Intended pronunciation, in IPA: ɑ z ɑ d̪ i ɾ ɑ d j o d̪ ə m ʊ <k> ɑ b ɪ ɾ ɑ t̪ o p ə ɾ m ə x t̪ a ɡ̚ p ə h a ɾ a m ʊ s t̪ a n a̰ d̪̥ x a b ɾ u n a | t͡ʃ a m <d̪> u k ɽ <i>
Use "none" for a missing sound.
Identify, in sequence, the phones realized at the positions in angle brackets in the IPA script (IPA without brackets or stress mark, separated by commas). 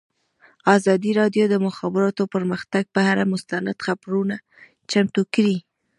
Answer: x, t̪, i